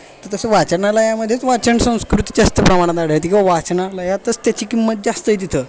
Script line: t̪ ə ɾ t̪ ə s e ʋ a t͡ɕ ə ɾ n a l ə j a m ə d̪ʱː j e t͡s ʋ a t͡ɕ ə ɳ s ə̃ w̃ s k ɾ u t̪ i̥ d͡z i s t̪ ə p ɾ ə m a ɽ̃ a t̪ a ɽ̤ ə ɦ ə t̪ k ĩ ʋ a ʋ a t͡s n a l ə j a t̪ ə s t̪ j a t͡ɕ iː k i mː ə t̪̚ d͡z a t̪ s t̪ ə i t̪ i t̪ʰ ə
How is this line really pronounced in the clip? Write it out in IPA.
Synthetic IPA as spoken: t̪ ə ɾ t̪ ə s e ʋ a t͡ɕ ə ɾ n a l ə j a m ə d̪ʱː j e t͡s ʋ a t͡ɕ ə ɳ s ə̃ w̃ s k ɾ u t̪ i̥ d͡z a s t̪ ə p ɾ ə m a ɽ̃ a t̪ a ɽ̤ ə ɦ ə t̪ k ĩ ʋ a ʋ a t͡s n a l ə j a t̪ ə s t̪ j a t͡ɕ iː k i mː ə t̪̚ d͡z a s t̪ ə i t̪ i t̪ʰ ə